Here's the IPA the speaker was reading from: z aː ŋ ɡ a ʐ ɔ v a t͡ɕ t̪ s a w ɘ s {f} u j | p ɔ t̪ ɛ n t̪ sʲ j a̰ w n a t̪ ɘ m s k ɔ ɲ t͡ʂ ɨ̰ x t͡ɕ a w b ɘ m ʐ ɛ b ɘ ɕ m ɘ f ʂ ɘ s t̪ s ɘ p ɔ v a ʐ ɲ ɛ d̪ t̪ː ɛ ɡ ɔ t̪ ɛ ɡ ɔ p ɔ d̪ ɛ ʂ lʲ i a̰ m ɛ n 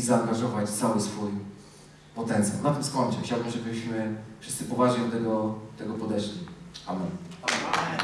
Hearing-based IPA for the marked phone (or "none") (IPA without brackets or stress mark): f